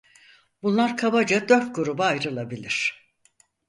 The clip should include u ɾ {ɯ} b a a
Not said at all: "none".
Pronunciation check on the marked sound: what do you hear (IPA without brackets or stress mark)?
u